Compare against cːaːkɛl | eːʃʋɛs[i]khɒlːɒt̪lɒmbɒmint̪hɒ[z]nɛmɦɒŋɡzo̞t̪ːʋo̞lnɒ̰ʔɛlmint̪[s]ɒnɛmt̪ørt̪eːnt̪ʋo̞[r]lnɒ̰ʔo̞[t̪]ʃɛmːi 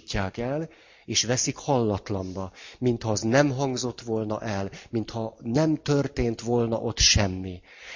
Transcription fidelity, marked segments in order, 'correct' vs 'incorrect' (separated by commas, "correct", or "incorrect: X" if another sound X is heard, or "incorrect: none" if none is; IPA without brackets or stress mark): correct, correct, incorrect: h, incorrect: none, correct